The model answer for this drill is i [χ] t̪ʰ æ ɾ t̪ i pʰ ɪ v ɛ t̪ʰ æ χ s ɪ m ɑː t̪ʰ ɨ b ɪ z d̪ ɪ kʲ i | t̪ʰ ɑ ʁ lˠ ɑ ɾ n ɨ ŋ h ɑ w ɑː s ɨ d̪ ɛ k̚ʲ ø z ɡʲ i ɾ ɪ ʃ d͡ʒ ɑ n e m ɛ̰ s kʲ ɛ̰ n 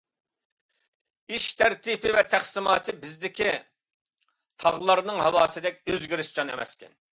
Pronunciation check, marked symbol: incorrect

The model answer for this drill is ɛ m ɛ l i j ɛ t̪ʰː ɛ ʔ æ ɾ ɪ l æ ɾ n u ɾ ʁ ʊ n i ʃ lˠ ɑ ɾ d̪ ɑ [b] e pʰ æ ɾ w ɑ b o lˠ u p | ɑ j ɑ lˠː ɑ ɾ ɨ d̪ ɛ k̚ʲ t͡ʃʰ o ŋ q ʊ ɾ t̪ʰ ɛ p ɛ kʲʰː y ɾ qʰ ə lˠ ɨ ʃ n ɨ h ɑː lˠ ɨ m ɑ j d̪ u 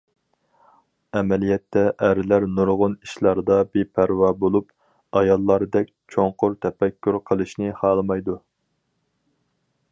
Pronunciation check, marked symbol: correct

